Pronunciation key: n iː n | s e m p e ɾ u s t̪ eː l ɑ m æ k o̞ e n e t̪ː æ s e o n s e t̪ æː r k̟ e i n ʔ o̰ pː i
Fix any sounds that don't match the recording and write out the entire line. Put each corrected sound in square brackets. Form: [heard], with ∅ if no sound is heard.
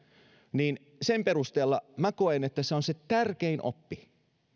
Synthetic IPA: n iː n | s e m p e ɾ u s t̪ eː [lː] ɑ m æ k o̞ e n e t̪ː æ s e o n s e t̪ [æ] r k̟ e i n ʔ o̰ pː i